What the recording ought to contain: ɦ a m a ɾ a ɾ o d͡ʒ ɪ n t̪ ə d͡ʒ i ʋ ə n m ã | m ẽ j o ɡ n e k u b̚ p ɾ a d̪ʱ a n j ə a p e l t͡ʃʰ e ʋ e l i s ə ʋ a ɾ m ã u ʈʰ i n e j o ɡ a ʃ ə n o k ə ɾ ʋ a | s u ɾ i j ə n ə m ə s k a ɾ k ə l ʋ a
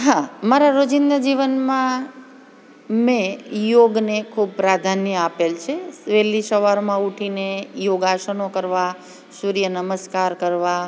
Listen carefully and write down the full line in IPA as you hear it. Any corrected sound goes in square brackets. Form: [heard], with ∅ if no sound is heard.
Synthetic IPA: ɦ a m a ɾ a ɾ o d͡ʒ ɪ n [d̪] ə d͡ʒ i ʋ ə n m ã | m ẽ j o ɡ n e [kʰ] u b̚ p ɾ a d̪ʱ a n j ə a p e l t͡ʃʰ e ʋ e l i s ə ʋ a ɾ m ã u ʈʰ i n e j o ɡ a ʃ ə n o k ə ɾ ʋ a | s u ɾ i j ə n ə m ə s k a ɾ k ə [ɾ] ʋ a

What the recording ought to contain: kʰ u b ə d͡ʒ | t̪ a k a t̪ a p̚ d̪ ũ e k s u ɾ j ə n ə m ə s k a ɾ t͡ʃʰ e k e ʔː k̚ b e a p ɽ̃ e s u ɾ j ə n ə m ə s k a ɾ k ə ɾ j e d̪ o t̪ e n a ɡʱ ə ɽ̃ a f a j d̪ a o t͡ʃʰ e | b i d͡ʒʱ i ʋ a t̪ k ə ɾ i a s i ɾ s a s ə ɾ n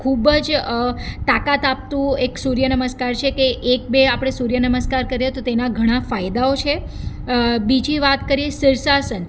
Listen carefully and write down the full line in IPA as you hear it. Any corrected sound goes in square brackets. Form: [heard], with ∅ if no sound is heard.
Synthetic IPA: kʰ u b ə d͡ʒ | t̪ a k a t̪ a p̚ [t̪] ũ e k s u ɾ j ə n ə m ə s k a ɾ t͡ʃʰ e k e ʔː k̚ b e a p ɽ̃ e s u ɾ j ə n ə m ə s k a ɾ k ə ɾ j e [t̪] o t̪ e n a ɡʱ ə ɽ̃ a f a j d̪ a o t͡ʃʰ e | b i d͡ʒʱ i ʋ a t̪ k ə ɾ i [e] s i ɾ s a s ə [∅] n

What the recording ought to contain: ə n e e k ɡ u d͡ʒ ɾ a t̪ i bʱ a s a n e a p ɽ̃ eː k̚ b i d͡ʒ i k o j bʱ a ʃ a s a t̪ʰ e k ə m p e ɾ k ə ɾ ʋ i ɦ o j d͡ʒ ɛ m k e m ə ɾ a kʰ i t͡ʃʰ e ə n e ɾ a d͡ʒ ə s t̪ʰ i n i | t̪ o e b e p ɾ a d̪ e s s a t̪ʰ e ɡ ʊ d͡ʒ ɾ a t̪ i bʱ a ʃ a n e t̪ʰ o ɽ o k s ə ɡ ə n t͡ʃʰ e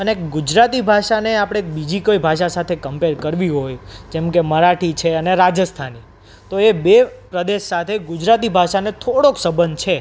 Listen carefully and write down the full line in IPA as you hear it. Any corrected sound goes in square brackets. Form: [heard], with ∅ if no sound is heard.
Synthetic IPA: ə n e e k ɡ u d͡ʒ ɾ a t̪ i bʱ a [ʃ] a n e a p ɽ̃ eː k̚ b i d͡ʒ i k o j bʱ a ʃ a s a t̪ʰ e k ə m p e ɾ k ə ɾ ʋ i ɦ o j d͡ʒ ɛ m k e m ə ɾ a [ʈʰ] i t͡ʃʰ e ə n e ɾ a d͡ʒ ə s t̪ʰ [a] n i | t̪ o e b e p ɾ [ə] d̪ e [ʃ] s a t̪ʰ e ɡ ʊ d͡ʒ ɾ a t̪ i bʱ a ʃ a n e t̪ʰ o ɽ o k s ə [b] ə n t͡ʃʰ e

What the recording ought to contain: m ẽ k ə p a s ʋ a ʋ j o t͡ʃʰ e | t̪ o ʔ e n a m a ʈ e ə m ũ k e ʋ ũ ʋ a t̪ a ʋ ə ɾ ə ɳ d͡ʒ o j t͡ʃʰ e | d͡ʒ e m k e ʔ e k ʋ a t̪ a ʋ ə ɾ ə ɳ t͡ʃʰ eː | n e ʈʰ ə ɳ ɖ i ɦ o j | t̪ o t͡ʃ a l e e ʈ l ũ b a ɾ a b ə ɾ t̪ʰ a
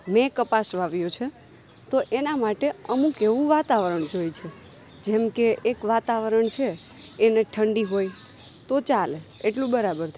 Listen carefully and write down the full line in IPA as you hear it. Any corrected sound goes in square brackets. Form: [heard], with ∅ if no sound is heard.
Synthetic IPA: m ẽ k ə p a s ʋ a ʋ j o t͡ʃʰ e | t̪ o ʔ e n a m a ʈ e ə m ũ k e ʋ ũ ʋ a t̪ a ʋ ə ɾ ə ɳ d͡ʒ o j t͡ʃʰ e | d͡ʒ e m k e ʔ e k ʋ a t̪ a ʋ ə ɾ ə ɳ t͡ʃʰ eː | n e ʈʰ ə ɳ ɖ i ɦ o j | t̪ o t͡ʃ a l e e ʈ l ũ b [ə] ɾ a b ə ɾ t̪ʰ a

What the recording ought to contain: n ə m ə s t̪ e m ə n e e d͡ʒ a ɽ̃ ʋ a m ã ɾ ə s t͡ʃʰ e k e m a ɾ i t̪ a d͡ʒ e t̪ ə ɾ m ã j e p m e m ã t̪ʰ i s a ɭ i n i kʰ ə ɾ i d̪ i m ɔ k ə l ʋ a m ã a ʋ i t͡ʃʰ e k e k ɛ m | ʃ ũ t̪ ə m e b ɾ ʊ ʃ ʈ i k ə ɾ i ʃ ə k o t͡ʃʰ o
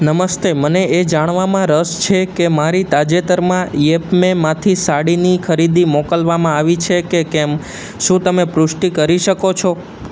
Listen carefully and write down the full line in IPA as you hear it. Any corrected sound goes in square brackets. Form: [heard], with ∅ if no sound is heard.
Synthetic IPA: n ə m ə s t̪ e m ə n e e d͡ʒ a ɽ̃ ʋ a m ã ɾ ə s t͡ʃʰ e k e m a ɾ i t̪ a d͡ʒ e t̪ ə ɾ m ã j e p m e m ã t̪ʰ i s a [ɽ] i n i kʰ ə ɾ i d̪ i m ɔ k ə l ʋ a m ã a ʋ i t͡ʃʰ e k e k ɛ m | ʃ ũ t̪ ə m e [p] ɾ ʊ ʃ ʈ i k ə ɾ i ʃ ə k o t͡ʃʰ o

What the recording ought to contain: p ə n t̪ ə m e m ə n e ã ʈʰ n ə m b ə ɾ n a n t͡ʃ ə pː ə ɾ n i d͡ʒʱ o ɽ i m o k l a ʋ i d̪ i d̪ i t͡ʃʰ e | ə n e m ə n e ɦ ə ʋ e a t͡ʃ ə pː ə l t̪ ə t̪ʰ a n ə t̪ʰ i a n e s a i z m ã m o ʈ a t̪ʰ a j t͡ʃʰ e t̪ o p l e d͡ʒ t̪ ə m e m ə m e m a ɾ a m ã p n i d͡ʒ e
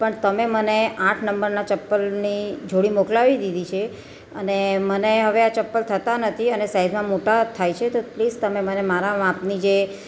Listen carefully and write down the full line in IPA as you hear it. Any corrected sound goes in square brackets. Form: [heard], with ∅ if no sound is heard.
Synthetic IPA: p ə [ɳ] t̪ ə m e m ə n e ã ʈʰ n ə m b ə ɾ n a [∅] t͡ʃ ə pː ə [l] n i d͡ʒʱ o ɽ i m o k l a ʋ i d̪ i d̪ i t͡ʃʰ e | ə n e m ə n e ɦ ə ʋ e a t͡ʃ ə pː ə l [t̪ʰ] ə [t̪] a n ə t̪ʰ i [ə] n e s a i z m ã m o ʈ a t̪ʰ a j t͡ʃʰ e t̪ o p l [i] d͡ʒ t̪ ə m e m ə [n] e m a ɾ a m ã p n i d͡ʒ e

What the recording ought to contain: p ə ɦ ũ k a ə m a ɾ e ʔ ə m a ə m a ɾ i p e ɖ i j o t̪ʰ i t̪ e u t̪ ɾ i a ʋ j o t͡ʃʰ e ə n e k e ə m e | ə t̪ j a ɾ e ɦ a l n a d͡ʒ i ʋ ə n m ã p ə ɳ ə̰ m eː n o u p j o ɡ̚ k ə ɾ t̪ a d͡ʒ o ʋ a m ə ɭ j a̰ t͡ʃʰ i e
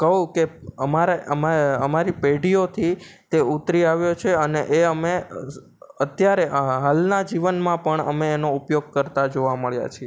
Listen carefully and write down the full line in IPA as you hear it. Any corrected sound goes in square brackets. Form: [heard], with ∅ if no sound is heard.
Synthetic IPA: [k] ə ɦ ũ k [e] ə m a ɾ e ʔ ə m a ə m a ɾ i p e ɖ i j o t̪ʰ i t̪ e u t̪ ɾ i a ʋ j o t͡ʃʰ e ə n e [ʔ] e ə m e | ə t̪ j a ɾ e ɦ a l n a d͡ʒ i ʋ ə n m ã p ə ɳ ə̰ m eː n o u p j o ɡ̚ k ə ɾ t̪ a d͡ʒ o ʋ a m ə ɭ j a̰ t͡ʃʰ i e

